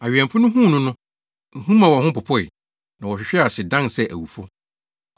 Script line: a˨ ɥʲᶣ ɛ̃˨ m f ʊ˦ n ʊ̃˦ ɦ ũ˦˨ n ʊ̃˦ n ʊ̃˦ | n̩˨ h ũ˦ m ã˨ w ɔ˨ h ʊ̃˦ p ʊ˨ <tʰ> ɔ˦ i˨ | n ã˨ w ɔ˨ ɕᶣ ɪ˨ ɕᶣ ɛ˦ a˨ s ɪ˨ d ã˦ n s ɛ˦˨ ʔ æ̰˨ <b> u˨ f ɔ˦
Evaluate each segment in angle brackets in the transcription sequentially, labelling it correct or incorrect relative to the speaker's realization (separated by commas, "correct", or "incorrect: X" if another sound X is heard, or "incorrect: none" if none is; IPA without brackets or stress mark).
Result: incorrect: pʰ, incorrect: w